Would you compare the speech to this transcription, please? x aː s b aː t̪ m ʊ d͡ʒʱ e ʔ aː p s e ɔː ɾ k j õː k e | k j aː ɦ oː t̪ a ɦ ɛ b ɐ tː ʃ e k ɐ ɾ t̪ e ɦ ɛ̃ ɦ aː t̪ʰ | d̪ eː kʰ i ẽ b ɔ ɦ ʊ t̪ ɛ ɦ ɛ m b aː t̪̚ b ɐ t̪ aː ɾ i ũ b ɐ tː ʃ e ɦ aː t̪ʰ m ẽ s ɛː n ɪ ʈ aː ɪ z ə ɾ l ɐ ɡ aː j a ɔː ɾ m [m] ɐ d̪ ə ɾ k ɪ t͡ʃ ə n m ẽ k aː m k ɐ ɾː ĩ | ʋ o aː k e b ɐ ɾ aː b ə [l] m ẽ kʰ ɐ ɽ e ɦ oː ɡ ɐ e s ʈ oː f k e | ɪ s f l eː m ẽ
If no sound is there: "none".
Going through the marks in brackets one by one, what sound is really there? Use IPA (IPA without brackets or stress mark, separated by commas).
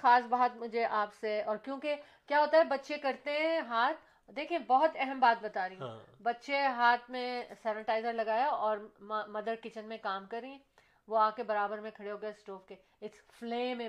m, ɾ